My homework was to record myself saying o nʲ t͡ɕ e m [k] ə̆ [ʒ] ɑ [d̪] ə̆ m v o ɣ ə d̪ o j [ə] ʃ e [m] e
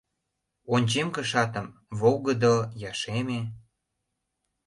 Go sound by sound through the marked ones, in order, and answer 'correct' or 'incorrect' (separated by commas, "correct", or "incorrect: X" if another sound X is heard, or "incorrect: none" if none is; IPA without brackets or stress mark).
correct, incorrect: ʃ, incorrect: t̪, incorrect: ɑ, correct